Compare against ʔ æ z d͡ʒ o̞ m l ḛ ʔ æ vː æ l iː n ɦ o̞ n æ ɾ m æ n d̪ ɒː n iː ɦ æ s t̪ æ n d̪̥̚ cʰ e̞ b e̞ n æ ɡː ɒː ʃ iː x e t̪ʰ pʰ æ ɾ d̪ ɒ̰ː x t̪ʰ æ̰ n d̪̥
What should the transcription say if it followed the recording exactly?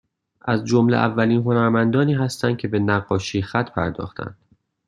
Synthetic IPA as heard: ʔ æ z d͡ʒ o̞ m l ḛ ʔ æ vː æ l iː n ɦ o̞ n æ ɾ m æ n d̪ ɒː n iː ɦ æ s t̪ æ n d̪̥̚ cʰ e̞ b e̞ n æ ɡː ɒː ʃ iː x æ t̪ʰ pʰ æ ɾ d̪ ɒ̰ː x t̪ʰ æ̰ n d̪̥